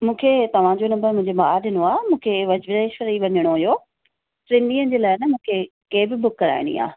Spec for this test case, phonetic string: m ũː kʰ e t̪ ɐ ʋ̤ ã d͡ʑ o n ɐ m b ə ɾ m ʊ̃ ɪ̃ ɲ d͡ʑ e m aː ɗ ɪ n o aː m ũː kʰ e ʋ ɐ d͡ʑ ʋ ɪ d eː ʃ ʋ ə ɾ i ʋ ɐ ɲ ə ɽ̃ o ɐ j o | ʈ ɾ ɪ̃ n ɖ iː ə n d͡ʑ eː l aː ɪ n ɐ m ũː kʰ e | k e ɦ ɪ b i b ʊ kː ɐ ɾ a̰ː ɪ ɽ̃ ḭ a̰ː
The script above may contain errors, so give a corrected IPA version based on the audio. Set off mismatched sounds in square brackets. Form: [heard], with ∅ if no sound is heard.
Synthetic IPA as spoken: m ũː kʰ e t̪ ɐ ʋ̤ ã d͡ʑ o n ɐ m b ə ɾ m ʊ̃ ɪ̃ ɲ d͡ʑ e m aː ɗ ɪ n o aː m ũː kʰ e ʋ ɐ d͡ʑ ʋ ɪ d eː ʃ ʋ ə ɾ i ʋ ɐ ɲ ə ɽ̃ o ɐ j o | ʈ ɾ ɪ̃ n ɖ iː ə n d͡ʑ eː l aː ɪ n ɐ m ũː kʰ e | k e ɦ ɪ b [ɪ] b ʊ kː ɐ ɾ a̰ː ɪ ɽ̃ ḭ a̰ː